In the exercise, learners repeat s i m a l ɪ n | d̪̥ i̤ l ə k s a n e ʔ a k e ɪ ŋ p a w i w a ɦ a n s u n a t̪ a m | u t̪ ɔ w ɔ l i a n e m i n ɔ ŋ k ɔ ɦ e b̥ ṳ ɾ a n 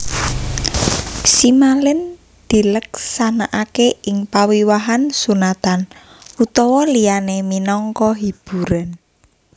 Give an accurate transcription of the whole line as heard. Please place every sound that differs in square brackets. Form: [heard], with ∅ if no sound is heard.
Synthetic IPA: s i m a l ɪ n | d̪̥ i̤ l ə k s a n [a] ʔ a k e ɪ ŋ p a w i w a ɦ a n s u n a t̪ a [n] | u t̪ ɔ w ɔ l i a n e m i n ɔ ŋ k ɔ ɦ [i] b̥ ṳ ɾ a n